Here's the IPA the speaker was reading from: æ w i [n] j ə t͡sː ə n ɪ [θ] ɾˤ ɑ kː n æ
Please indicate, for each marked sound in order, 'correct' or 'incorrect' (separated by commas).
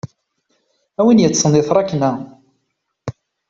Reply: correct, correct